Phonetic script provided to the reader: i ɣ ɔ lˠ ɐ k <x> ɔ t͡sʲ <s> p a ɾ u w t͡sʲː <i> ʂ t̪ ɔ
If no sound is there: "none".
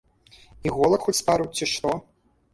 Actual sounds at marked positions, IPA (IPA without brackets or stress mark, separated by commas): x, s, i